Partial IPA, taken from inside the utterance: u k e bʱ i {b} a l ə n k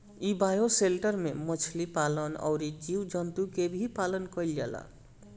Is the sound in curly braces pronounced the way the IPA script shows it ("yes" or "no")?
no